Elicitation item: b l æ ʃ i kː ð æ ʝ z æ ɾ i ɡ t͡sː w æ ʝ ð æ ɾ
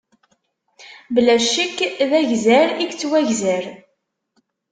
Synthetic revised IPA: b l æ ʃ i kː ð æ ʝ z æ ɾ i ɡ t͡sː w æ ʝ z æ ɾ